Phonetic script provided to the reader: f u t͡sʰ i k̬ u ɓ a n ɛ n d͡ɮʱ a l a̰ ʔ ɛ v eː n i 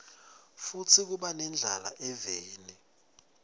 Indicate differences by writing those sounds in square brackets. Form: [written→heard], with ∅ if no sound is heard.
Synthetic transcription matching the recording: f u t͡sʰ i k̬ u ɓ a n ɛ n d͡ɮʱ a l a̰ ʔ ɛ v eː n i